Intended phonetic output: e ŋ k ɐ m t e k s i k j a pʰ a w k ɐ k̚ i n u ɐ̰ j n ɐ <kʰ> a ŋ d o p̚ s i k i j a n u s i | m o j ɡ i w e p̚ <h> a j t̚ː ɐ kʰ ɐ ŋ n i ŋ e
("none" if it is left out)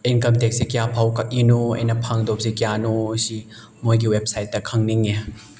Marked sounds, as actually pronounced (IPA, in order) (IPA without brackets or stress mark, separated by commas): pʰ, s